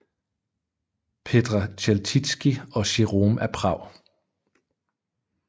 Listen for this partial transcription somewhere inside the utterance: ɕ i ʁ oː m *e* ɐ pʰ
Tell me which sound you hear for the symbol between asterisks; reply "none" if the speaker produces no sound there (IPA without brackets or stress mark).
æ